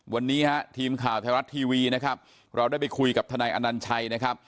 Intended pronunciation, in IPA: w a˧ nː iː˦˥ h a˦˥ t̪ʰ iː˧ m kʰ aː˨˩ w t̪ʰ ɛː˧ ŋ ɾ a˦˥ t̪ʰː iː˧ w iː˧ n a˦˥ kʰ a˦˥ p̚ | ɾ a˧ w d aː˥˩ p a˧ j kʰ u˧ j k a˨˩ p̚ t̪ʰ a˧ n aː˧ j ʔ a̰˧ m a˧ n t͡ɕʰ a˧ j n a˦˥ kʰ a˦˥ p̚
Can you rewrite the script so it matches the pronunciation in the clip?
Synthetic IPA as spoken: w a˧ nː iː˦˥ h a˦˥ t̪ʰ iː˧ m kʰ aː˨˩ w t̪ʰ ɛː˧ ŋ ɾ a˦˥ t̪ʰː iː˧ w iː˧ n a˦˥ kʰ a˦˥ p̚ | ɾ a˧ w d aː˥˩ p a˧ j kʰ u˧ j k a˨˩ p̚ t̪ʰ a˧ n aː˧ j ʔ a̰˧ n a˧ n t͡ɕʰ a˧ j n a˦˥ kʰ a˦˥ p̚